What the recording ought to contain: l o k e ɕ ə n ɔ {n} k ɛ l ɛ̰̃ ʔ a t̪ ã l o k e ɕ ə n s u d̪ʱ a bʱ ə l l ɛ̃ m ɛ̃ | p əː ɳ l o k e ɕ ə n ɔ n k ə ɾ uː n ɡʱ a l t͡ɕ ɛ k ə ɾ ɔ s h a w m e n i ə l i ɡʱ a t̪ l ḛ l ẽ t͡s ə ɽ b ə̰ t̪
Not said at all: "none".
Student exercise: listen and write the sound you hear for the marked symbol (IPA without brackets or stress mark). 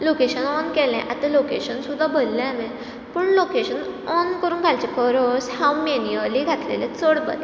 n